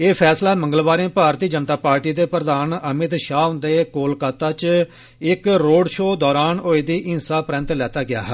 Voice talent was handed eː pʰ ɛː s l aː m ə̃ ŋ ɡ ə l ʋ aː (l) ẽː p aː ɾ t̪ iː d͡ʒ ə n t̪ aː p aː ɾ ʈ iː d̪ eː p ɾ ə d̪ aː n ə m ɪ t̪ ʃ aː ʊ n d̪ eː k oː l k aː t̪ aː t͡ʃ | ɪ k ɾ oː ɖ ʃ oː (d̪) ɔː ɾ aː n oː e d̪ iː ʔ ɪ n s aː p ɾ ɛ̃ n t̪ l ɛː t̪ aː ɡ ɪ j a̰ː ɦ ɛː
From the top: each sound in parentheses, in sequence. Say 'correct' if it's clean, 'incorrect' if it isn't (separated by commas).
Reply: incorrect, correct